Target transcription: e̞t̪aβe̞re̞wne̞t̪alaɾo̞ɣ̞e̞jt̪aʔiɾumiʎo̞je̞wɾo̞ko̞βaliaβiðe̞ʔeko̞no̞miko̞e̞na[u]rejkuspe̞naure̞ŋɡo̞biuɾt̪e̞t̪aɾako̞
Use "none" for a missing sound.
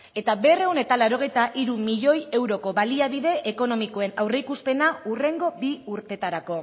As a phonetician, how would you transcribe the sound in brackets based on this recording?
w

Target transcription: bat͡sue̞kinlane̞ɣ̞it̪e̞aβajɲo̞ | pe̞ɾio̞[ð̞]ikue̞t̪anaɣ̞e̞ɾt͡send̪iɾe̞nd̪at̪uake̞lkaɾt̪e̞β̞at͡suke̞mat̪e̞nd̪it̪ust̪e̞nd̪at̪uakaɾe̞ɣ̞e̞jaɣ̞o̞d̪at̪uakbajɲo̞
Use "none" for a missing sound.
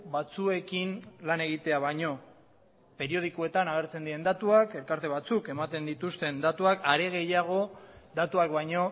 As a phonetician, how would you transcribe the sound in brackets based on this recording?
ð̞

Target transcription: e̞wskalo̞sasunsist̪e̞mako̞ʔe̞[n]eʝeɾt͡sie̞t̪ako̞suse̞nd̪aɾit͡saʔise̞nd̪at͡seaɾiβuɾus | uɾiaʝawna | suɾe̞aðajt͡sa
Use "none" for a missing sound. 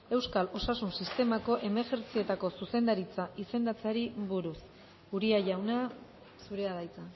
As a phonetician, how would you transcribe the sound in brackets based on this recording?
m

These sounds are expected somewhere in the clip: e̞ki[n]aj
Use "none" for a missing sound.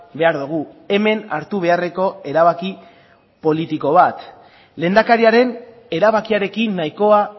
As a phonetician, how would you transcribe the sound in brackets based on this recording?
nː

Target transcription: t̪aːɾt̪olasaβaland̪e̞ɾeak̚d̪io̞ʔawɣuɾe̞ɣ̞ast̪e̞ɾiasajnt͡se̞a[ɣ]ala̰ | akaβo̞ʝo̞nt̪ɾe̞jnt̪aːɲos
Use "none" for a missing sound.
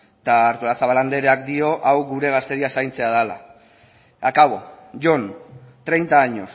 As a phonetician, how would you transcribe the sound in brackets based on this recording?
ð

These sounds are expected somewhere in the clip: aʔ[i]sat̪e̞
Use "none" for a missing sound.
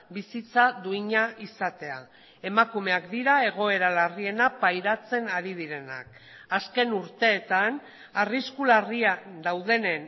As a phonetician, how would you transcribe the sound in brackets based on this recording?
i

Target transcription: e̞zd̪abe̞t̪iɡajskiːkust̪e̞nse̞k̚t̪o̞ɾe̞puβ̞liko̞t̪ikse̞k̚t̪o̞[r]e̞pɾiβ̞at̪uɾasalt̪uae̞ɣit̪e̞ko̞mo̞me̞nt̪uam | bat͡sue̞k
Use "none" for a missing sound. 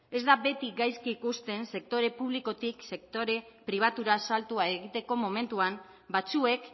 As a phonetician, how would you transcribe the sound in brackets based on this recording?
ɾ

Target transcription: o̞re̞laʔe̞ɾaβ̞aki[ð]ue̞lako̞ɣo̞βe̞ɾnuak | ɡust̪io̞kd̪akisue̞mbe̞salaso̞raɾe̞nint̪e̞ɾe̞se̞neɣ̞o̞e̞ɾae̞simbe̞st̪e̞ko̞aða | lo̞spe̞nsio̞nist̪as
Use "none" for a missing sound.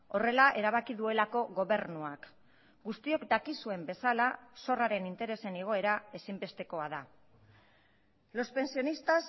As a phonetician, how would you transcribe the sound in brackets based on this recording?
ð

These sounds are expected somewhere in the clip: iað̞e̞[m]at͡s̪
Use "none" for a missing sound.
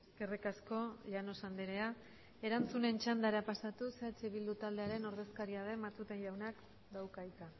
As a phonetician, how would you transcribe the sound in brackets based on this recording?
m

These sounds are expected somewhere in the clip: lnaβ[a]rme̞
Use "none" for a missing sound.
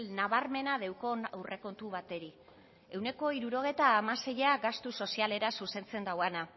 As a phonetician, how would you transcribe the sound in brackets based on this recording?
a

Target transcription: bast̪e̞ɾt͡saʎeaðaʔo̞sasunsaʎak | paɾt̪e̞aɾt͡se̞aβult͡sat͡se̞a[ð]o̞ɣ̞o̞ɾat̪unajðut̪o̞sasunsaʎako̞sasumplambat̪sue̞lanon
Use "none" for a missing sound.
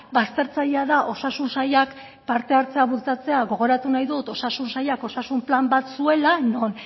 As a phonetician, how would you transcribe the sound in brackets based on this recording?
ɣ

